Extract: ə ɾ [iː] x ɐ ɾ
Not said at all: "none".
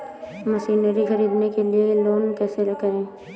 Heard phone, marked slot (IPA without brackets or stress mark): i